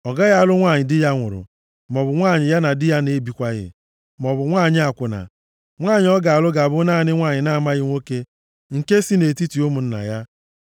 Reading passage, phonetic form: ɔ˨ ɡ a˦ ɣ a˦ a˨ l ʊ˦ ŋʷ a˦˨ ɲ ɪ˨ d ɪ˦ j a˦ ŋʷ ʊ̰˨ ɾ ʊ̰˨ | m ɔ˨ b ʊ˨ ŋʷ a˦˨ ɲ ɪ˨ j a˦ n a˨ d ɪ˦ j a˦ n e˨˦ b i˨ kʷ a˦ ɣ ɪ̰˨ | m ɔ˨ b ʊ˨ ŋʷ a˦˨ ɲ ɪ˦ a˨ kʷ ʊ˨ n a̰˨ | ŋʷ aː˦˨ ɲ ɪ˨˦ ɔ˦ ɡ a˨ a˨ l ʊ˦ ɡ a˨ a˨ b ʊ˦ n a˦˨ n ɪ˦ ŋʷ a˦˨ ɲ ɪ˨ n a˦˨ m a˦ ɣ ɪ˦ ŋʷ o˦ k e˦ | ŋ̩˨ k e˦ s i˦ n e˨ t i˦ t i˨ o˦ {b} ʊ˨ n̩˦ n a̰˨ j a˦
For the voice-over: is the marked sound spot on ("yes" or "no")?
no